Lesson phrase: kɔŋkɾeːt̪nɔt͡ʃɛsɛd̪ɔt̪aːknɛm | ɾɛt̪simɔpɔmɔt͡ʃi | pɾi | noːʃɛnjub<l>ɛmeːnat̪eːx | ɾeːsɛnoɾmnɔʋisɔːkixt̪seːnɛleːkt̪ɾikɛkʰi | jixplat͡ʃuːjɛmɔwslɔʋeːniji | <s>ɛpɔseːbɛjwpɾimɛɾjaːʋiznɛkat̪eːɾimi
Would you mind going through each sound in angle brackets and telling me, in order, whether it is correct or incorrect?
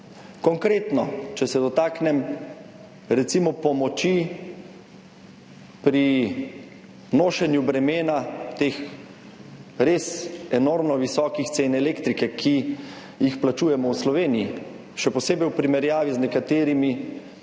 incorrect: ɾ, incorrect: ʃ

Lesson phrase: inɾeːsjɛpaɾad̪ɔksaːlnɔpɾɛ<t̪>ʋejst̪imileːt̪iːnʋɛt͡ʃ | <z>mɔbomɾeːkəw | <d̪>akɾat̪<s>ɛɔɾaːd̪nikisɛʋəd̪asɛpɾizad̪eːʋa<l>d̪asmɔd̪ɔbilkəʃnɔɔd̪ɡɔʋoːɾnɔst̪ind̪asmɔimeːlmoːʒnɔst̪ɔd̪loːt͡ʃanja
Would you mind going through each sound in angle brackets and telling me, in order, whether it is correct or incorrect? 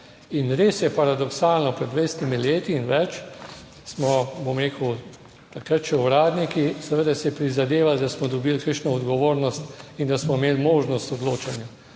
incorrect: d̪, incorrect: s, incorrect: t̪, incorrect: ʃ, correct

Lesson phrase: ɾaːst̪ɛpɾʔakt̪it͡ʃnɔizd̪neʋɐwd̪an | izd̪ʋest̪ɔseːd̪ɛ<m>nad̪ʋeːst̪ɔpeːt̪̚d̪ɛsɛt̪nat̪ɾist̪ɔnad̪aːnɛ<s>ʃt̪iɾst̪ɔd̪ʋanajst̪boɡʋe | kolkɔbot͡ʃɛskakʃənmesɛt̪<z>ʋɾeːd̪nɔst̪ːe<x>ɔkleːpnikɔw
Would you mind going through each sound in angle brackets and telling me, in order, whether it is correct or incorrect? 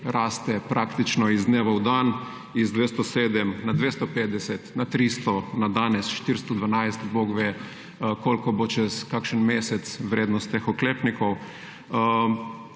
correct, correct, incorrect: s, correct

